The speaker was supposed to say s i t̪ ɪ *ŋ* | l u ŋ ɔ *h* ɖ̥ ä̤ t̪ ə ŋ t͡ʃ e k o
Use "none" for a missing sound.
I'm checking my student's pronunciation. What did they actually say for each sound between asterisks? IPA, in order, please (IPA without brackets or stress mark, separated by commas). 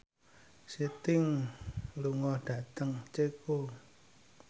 ŋ, h